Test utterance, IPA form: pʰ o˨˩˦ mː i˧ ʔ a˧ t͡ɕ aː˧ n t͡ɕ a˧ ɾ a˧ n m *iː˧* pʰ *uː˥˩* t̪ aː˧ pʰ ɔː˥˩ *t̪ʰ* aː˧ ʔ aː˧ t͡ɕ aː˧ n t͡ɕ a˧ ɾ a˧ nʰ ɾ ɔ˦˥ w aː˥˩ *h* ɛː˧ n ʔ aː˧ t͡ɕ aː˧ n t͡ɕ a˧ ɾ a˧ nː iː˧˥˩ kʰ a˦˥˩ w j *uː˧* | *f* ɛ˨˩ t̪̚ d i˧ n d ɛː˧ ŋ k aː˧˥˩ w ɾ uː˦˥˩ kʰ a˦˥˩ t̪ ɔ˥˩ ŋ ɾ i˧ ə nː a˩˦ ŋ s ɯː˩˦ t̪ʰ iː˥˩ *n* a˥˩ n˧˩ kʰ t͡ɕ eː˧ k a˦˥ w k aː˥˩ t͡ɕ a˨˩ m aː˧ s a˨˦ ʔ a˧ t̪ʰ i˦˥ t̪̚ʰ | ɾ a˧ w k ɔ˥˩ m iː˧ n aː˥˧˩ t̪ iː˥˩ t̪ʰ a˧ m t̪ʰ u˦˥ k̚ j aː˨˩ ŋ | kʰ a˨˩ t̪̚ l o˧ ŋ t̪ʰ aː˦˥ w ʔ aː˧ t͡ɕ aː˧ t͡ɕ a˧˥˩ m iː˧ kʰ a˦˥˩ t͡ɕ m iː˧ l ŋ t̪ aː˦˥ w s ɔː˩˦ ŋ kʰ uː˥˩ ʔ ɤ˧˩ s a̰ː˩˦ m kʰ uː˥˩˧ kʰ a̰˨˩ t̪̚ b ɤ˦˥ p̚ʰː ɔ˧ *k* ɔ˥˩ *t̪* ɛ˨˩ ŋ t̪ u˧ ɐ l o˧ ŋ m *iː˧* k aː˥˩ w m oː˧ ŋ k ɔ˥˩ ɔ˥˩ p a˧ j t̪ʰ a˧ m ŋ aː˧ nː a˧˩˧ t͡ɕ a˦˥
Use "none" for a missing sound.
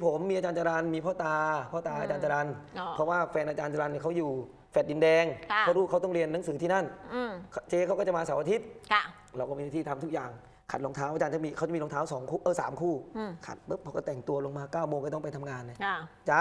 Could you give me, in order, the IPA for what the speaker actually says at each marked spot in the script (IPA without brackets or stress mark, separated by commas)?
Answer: iː˧, ɔː˥˩, t̪, f, uː˨˩, f, n, k, t̪, aː˧